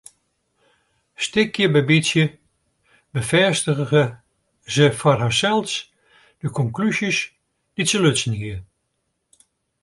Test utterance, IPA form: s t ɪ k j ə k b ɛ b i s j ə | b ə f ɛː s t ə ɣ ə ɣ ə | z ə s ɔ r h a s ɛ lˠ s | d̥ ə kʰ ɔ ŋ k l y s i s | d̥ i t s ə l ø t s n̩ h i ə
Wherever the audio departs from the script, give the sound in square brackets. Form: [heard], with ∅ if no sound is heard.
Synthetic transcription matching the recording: s t ɪ k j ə [∅] b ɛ b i s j ə | b ə f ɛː s t ə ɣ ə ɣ ə | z ə [f] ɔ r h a s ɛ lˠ s | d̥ ə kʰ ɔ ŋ k l y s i s | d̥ i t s ə l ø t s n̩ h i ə